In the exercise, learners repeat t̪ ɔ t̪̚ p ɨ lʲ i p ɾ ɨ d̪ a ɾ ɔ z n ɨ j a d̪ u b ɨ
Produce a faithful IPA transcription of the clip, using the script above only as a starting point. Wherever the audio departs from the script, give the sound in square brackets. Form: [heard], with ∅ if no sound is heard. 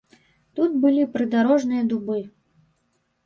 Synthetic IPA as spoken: t̪ [u] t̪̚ [b] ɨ lʲ i p ɾ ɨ d̪ a ɾ ɔ [ʐ] n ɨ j [ɐ] d̪ u b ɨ